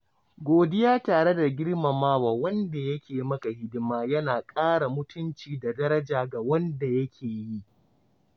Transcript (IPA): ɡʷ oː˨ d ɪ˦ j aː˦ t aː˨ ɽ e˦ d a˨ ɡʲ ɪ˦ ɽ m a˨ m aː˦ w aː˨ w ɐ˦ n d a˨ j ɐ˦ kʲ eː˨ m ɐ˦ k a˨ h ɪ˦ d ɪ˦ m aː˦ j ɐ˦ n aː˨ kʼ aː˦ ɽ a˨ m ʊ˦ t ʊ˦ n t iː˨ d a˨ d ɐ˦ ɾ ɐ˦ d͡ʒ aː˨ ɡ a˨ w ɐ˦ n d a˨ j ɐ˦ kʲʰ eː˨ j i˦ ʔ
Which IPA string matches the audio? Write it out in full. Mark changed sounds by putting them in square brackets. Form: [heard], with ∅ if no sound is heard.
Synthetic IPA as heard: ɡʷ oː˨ d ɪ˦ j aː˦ t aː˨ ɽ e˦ d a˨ ɡʲ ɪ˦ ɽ m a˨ m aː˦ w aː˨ w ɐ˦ n d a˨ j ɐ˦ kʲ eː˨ m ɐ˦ k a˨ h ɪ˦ d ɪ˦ m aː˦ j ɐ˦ n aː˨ kʼ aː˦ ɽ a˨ m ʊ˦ t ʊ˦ n [t͡ʃ] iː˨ d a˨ d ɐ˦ ɾ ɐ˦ d͡ʒ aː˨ ɡ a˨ w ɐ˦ n d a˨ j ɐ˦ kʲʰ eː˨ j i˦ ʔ